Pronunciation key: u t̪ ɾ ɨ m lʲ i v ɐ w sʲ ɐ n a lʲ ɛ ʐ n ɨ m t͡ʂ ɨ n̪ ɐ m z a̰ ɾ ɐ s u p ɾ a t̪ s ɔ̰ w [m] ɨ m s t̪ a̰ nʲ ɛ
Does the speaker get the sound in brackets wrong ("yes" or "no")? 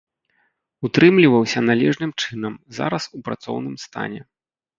yes